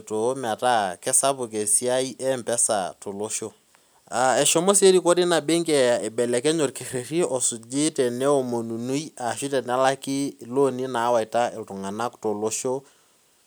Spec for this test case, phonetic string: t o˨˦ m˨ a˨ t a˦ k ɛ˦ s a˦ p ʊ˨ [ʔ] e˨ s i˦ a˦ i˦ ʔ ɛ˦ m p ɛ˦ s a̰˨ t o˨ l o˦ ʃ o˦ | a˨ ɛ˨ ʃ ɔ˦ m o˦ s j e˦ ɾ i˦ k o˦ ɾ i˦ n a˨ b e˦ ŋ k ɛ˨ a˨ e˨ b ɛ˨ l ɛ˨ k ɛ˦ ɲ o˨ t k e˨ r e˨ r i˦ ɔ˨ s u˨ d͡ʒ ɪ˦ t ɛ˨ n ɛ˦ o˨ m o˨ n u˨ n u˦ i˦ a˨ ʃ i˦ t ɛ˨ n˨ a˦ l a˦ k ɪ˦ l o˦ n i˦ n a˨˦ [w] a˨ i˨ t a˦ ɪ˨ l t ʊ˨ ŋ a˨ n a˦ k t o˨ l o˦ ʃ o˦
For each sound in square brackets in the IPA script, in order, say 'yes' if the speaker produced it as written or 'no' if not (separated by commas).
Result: no, yes